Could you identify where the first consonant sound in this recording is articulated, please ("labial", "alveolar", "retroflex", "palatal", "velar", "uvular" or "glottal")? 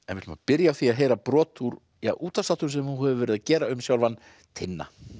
alveolar